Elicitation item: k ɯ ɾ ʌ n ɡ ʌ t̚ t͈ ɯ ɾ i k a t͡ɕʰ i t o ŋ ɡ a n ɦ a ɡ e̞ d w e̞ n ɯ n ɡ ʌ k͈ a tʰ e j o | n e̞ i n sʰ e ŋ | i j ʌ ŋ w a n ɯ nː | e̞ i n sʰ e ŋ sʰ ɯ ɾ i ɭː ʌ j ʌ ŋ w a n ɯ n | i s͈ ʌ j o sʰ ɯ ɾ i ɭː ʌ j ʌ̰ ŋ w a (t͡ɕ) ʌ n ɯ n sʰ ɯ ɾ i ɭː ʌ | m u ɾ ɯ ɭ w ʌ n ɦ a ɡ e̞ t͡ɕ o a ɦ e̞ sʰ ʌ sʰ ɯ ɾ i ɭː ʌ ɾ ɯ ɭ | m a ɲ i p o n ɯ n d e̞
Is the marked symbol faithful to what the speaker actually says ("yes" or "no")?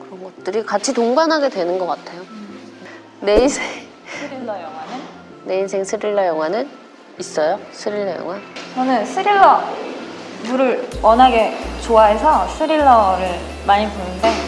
yes